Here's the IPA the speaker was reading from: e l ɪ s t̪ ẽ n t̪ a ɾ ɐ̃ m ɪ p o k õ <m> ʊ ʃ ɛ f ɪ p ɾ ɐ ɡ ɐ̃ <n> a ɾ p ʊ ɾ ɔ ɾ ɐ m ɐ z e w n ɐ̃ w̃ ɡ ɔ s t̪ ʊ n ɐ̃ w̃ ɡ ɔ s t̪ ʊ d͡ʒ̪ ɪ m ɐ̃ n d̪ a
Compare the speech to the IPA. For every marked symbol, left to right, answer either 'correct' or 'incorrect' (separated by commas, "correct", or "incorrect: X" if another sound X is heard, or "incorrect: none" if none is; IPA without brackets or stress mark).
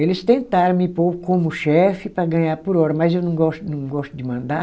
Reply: correct, incorrect: ɲ